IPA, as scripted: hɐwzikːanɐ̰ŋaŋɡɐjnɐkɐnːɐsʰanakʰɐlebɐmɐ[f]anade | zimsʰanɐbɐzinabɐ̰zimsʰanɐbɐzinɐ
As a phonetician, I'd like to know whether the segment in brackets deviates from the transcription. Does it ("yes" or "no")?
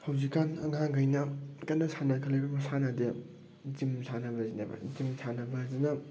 yes